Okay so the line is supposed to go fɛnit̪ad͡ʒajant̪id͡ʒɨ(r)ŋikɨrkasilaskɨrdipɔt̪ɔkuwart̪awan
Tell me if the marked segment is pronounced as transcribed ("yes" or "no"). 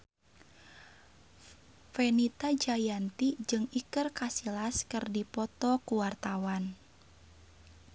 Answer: no